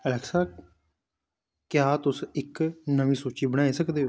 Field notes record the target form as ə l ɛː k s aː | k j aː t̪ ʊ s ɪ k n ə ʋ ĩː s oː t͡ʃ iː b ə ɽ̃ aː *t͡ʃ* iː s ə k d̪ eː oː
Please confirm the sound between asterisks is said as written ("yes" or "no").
no